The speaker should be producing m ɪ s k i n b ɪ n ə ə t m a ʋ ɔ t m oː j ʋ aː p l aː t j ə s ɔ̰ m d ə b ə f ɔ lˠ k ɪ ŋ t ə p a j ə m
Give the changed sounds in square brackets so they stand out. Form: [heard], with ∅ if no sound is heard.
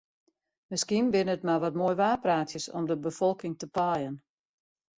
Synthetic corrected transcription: m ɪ s k i n b ɪ n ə ə t m a ʋ ɔ t m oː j ʋ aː p [r] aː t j ə s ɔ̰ m d ə b ə f ɔ lˠ k ɪ ŋ t ə p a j ə [n]